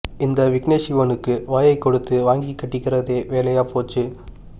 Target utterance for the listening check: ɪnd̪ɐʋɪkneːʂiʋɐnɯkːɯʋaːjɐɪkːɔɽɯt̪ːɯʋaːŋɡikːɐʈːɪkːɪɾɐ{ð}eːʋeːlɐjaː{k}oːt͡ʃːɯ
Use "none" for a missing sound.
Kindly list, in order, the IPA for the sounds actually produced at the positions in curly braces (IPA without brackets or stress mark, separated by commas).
ð, p